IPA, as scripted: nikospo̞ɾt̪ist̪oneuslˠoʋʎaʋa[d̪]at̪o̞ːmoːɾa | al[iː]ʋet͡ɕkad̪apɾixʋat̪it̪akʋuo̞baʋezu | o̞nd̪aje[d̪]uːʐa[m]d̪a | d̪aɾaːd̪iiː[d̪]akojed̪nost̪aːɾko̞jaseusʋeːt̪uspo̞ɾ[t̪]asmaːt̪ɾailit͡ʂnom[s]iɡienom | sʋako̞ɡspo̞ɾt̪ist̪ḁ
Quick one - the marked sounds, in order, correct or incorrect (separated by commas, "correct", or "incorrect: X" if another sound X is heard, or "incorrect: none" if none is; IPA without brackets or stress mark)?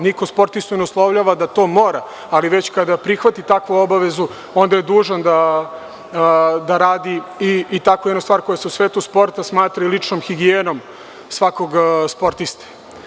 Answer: correct, incorrect: i, correct, incorrect: n, incorrect: t̪, correct, incorrect: x